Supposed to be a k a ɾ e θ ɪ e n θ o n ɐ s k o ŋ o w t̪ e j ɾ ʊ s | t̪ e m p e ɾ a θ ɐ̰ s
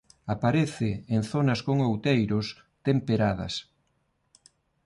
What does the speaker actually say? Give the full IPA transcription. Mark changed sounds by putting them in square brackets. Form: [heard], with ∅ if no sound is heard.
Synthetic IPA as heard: a [p] a ɾ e θ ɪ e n θ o n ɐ s k o ŋ o w t̪ e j ɾ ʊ s | t̪ e m p e ɾ a [ð] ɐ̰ s